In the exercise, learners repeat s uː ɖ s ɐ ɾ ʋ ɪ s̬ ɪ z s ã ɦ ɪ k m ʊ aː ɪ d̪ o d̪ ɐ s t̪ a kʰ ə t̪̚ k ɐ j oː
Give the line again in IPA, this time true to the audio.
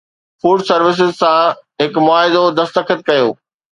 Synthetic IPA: f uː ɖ s ɐ ɾ ʋ ɪ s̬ ɪ z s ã ɦ ɪ k m ʊ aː ɪ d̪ o d̪ ɐ s t̪ ə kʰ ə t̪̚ k ɐ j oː